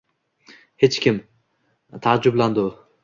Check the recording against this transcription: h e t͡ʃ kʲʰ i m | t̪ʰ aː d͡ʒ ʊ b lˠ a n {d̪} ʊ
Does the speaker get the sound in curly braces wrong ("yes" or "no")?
no